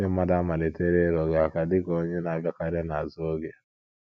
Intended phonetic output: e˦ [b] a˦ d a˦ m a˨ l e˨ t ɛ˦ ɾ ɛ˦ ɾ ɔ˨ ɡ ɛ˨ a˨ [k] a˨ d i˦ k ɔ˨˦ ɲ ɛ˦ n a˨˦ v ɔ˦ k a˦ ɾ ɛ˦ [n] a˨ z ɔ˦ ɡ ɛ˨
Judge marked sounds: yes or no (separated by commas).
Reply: no, yes, yes